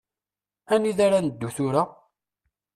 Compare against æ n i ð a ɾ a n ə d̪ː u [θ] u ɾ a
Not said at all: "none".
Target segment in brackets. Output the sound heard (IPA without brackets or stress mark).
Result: θ